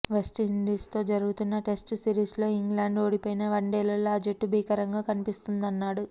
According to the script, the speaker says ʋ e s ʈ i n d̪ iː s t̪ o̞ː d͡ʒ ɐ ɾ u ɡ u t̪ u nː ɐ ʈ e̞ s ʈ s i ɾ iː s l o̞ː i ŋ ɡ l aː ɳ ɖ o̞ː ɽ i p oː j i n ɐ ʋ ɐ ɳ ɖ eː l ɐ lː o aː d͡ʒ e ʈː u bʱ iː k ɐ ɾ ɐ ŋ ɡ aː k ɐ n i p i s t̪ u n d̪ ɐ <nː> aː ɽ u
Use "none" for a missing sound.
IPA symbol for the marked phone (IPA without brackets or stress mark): nː